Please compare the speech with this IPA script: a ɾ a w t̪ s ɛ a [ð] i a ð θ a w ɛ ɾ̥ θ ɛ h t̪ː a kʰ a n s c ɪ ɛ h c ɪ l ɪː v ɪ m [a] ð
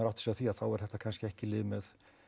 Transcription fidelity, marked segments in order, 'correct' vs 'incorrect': incorrect: θ, incorrect: ɛ

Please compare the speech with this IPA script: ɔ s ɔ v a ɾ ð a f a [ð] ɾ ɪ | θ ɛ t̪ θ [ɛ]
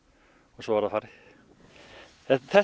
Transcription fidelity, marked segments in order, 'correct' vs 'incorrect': incorrect: none, correct

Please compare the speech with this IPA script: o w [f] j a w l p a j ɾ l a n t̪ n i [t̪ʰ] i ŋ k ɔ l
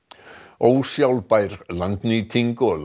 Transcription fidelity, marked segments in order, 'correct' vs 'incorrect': incorrect: s, correct

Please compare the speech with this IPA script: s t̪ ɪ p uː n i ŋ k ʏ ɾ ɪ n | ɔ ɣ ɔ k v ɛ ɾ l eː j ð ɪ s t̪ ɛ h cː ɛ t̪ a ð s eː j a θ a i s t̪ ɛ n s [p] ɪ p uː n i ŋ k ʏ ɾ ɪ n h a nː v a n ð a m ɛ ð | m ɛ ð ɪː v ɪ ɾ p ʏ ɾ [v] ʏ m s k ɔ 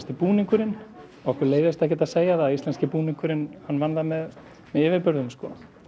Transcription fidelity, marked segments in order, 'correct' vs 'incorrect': incorrect: c, incorrect: ð

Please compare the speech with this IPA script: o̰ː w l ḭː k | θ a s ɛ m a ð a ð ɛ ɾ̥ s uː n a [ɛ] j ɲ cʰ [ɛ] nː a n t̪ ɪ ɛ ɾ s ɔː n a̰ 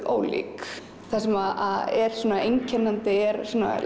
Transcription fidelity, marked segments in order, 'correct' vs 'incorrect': incorrect: e, correct

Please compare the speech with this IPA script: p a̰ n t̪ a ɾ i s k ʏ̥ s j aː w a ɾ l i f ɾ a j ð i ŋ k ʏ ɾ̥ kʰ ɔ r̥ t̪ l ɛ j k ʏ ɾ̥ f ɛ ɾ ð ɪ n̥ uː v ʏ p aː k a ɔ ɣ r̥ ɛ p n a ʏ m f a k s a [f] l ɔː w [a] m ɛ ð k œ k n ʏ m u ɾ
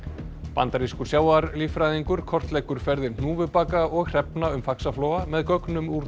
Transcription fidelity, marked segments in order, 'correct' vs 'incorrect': correct, correct

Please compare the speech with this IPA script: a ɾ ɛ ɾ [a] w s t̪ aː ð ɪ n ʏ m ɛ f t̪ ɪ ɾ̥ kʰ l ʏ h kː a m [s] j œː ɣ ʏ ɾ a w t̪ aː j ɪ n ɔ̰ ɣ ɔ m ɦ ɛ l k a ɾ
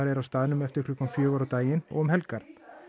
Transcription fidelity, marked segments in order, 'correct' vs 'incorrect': correct, incorrect: f

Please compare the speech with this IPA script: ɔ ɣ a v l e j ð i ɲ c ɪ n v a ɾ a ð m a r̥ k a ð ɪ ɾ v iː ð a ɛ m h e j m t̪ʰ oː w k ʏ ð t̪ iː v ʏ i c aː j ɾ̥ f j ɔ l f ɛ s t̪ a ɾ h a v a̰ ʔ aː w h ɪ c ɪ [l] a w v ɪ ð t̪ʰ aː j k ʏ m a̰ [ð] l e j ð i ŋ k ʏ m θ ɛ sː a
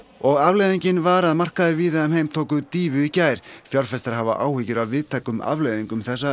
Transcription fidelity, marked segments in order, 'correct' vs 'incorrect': incorrect: ɾ, incorrect: v

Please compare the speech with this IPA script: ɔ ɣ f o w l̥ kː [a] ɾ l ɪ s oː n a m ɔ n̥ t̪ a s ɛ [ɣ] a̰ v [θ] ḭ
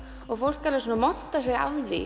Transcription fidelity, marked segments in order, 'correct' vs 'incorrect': correct, correct, incorrect: ð

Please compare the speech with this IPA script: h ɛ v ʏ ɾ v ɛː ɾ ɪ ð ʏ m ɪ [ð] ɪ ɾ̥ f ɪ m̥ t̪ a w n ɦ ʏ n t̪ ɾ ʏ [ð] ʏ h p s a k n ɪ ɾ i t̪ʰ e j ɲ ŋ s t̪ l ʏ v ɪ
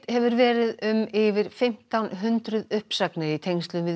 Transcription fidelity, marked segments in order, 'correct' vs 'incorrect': incorrect: v, correct

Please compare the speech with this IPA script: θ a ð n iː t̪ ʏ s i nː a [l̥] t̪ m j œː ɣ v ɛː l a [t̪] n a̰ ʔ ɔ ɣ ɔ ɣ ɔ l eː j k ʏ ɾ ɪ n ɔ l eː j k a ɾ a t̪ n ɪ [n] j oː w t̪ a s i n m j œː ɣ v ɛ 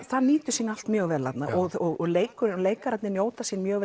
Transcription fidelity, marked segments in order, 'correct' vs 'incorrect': correct, correct, correct

